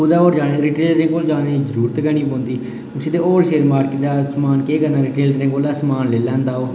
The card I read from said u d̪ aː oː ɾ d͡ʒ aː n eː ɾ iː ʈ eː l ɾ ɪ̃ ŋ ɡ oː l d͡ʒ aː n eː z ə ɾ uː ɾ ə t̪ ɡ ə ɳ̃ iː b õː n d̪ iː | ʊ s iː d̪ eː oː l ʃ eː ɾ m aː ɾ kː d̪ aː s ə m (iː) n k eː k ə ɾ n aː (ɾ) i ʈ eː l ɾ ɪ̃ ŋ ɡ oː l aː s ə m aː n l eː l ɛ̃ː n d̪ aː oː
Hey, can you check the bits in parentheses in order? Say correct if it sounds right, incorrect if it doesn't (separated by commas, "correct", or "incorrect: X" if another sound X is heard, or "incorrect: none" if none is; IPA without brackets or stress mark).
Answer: incorrect: aː, correct